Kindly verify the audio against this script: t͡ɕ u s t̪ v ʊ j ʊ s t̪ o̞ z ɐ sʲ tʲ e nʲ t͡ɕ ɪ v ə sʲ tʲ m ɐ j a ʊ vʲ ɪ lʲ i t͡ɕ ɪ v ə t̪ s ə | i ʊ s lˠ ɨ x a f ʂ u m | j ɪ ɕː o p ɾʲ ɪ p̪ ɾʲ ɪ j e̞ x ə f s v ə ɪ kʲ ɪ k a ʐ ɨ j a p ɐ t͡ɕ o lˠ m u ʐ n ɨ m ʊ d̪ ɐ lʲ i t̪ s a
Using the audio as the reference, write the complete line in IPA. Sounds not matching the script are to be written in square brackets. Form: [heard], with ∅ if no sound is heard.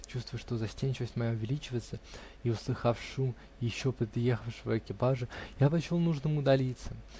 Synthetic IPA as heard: t͡ɕ u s t̪ v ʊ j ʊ [ʂ] t̪ o̞ z ɐ sʲ tʲ e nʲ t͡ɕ ɪ v ə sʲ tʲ m ɐ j a ʊ vʲ ɪ lʲ i t͡ɕ ɪ v ə t̪ s ə | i ʊ s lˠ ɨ x a f ʂ u m | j ɪ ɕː o p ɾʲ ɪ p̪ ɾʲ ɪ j e̞ x ə f [ʂ] v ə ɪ kʲ ɪ [p] a ʐ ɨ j a p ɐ t͡ɕ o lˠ [n] u ʐ n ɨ m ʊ d̪ ɐ lʲ i t̪ s [ə]